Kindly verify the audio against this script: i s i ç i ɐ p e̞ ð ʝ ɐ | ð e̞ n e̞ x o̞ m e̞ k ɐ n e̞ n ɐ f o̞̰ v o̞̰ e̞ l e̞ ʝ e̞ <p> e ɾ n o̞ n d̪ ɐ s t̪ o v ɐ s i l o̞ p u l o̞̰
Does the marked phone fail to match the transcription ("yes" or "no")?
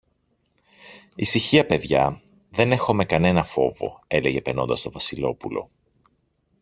no